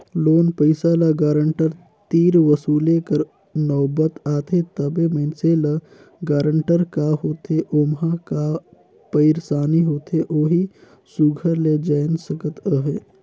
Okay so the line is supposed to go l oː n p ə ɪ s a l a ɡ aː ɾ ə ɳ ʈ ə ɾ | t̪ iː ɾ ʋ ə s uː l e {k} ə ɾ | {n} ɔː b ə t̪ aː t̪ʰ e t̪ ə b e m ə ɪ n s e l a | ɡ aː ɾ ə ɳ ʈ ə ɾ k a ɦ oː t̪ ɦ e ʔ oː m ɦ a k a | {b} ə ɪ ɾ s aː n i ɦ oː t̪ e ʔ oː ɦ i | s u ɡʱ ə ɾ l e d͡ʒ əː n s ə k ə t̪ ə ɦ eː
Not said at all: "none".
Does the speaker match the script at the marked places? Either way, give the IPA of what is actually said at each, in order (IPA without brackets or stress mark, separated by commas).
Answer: k, n, p